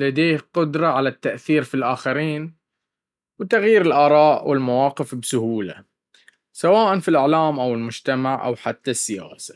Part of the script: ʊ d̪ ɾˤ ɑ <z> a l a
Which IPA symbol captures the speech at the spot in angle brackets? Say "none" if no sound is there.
ʕ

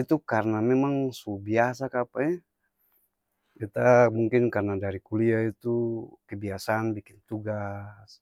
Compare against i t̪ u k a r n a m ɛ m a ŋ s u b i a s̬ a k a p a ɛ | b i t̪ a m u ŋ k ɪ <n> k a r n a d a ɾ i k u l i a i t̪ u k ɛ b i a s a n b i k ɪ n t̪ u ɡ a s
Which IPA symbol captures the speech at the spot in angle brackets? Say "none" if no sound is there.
n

